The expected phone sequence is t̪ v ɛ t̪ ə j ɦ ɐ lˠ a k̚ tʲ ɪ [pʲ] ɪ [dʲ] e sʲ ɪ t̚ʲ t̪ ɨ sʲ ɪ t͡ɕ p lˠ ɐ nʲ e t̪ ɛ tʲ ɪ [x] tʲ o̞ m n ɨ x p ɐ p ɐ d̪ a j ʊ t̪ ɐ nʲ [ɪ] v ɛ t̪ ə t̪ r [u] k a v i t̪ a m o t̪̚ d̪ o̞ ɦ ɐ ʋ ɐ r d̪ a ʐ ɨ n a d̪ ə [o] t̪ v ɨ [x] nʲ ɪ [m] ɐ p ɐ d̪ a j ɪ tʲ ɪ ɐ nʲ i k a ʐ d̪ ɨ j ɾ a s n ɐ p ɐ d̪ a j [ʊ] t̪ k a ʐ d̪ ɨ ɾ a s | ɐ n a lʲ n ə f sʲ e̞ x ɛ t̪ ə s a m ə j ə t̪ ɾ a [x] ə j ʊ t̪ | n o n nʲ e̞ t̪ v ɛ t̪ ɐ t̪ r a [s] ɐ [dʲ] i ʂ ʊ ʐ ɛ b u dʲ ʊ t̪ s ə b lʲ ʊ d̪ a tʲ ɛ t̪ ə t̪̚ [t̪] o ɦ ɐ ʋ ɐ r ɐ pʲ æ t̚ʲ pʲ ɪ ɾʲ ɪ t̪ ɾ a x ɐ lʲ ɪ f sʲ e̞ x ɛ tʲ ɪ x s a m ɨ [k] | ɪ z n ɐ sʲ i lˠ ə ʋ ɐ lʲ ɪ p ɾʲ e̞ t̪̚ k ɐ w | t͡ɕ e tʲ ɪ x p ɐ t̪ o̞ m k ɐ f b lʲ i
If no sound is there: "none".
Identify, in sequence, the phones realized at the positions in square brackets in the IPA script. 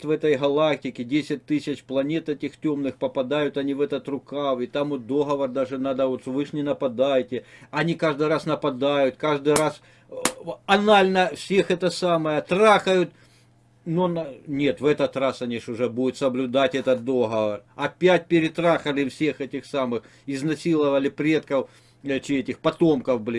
kʲ, dʲ, x, i, ʊ, o, ʂ, n, ʊ, x, s, nʲ, d̪, x

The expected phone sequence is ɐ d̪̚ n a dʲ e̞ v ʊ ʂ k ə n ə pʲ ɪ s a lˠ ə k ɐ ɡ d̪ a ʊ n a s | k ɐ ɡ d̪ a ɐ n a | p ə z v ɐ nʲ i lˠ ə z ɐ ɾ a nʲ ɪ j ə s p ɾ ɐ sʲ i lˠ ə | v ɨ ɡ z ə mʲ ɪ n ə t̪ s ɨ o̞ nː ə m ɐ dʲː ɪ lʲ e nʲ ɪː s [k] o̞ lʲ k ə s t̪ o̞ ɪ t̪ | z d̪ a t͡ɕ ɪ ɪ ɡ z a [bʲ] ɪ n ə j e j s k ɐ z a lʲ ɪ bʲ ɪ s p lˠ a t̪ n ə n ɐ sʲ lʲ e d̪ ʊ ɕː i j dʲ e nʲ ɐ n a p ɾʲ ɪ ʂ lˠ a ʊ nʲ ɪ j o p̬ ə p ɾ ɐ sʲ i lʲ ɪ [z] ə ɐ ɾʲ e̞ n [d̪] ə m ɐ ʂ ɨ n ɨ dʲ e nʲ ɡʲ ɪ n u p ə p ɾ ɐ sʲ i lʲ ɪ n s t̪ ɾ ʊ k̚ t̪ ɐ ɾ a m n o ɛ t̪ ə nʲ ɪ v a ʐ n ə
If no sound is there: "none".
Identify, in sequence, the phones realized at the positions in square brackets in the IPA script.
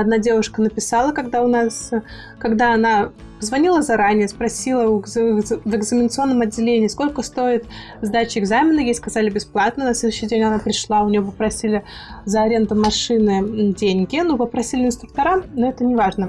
k, mʲ, z, d̪

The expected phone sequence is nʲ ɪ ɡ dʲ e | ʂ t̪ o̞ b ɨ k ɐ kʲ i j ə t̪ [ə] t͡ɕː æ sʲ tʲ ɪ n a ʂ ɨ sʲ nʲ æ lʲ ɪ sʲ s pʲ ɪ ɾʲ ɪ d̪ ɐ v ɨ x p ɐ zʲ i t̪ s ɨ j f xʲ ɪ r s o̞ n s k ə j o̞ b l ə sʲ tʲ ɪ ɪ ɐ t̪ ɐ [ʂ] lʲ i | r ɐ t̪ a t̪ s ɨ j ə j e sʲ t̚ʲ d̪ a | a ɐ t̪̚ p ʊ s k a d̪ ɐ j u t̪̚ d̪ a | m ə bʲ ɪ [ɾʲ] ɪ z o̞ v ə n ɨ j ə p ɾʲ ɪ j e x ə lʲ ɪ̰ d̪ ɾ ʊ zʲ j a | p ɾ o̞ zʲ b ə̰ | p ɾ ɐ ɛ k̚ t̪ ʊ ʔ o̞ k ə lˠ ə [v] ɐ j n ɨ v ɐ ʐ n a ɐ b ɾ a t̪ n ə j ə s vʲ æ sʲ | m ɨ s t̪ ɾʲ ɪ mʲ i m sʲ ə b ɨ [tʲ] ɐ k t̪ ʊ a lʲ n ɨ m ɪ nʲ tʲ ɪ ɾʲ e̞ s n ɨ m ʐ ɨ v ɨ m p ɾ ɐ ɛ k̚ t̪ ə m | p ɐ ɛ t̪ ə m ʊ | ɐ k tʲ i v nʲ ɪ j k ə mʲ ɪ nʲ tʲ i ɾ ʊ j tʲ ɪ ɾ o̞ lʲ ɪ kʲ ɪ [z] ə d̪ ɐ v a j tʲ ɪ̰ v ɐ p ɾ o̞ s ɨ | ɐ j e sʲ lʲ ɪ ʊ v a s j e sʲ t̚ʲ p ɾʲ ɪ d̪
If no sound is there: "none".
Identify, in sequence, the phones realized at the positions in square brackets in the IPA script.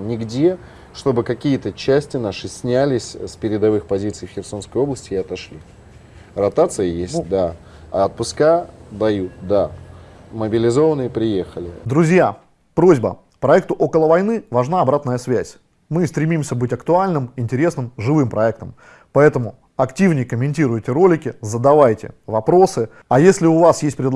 ə, ʂ, lʲ, v, tʲ, z

